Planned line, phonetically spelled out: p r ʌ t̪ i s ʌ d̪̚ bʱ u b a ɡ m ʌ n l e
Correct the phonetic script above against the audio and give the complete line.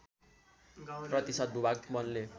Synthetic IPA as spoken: p r ʌ t̪ i s ʌ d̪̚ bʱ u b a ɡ m ʌ n l e